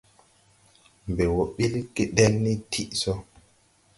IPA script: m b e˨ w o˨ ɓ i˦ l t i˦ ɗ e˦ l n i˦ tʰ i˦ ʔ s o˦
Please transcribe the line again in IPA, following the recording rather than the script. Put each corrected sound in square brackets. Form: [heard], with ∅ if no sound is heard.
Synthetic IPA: m b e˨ w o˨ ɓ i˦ l [k] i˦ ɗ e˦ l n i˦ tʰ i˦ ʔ s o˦